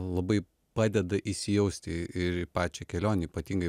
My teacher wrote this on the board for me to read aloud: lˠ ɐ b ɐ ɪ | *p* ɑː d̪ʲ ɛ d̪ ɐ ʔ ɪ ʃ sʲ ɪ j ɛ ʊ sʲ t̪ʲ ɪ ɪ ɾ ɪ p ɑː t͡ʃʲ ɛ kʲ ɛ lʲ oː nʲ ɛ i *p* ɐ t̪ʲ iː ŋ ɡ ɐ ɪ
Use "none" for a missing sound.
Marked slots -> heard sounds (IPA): p, p

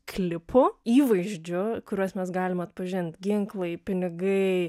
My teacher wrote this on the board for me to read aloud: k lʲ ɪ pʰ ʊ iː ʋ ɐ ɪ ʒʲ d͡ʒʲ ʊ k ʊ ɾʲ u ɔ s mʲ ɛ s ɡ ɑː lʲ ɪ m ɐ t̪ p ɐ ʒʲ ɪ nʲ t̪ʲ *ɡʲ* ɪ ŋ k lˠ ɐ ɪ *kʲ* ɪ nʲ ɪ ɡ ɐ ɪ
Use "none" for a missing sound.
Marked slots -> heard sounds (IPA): ɡʲ, pʲ

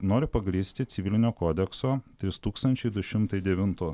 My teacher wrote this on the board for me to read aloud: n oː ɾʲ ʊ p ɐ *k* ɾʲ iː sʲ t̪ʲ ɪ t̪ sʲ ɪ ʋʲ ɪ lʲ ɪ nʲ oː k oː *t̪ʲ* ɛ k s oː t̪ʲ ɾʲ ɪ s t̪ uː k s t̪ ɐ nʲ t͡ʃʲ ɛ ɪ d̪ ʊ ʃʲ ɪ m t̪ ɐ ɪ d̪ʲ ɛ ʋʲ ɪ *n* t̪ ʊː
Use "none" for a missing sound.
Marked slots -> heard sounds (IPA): ɡ, d̪ʲ, n

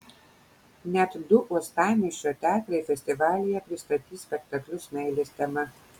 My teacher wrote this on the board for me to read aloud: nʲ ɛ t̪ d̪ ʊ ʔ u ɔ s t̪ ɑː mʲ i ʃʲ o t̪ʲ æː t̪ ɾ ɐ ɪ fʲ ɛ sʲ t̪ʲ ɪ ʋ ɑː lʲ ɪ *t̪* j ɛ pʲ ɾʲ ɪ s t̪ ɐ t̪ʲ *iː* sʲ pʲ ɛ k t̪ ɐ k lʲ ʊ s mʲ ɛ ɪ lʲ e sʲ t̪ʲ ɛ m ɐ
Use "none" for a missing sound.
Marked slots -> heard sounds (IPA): none, iː

